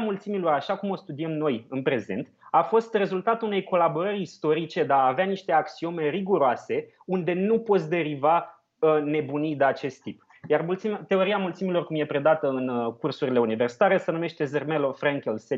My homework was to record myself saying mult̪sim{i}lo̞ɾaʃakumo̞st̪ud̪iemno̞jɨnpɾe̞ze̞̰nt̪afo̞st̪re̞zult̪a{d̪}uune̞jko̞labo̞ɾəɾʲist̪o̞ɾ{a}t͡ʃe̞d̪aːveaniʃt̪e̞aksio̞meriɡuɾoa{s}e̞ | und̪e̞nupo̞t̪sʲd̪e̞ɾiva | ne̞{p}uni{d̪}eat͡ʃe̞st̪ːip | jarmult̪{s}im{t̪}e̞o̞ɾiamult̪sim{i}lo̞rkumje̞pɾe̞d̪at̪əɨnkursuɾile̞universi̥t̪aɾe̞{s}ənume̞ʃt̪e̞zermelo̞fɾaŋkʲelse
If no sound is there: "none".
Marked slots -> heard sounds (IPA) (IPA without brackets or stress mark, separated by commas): i, t̪, i, s, b, d̪, s, t̪, i, s